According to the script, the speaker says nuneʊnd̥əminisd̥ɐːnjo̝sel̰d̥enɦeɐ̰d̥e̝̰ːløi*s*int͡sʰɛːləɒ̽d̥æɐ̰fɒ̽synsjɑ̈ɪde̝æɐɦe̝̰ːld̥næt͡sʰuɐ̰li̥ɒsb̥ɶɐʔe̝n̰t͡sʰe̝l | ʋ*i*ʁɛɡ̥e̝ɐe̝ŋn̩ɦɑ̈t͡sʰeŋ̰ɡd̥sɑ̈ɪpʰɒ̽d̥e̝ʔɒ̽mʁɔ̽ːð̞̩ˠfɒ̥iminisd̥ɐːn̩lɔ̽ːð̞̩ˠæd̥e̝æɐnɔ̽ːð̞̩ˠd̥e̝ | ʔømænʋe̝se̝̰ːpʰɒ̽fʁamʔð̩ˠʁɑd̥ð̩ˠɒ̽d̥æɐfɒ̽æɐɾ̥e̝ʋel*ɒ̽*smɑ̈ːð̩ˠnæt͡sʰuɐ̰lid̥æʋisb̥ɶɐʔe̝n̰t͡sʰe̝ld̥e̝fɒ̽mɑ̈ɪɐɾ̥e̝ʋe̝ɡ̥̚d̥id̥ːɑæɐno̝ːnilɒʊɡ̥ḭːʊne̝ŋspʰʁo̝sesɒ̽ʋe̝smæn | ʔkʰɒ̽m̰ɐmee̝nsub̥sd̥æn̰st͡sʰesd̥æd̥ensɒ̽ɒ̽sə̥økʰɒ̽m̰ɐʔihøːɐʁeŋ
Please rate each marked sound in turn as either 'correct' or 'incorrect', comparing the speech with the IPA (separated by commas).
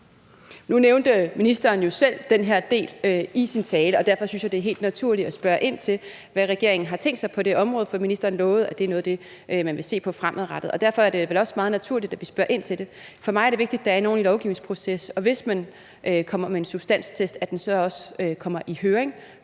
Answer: correct, incorrect, correct